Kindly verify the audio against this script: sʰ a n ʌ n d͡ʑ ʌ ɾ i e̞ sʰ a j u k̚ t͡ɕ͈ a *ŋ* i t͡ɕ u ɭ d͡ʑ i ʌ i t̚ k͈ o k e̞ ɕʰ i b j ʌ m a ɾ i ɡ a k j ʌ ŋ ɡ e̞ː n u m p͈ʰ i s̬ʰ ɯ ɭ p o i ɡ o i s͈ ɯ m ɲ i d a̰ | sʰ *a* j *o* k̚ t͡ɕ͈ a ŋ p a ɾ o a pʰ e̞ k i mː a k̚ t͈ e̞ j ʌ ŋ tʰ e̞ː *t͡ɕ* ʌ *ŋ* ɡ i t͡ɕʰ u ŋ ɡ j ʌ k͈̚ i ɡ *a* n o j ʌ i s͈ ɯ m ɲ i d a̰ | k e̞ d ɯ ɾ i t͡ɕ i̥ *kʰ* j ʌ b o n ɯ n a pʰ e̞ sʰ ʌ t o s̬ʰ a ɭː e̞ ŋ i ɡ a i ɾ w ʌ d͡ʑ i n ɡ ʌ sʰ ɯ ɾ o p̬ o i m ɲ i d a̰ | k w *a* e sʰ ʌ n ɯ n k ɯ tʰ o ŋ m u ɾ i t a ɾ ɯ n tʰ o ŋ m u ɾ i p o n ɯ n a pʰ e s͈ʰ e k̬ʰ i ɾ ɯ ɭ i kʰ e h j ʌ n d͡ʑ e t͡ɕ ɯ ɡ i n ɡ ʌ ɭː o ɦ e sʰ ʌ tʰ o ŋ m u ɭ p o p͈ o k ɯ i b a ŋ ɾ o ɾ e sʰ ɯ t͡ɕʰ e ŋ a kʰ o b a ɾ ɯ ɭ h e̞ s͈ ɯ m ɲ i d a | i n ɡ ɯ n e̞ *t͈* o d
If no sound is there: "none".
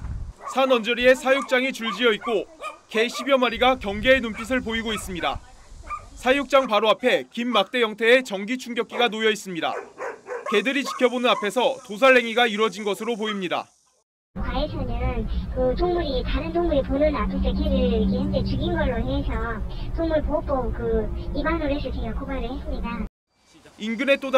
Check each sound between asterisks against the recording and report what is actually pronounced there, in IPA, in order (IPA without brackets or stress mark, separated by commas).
ŋ, a, u, t͡ɕ, ŋ, a, pʰ, a, t͈